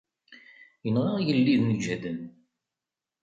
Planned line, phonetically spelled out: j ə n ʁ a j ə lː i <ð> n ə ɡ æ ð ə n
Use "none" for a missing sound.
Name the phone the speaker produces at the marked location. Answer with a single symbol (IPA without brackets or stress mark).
ð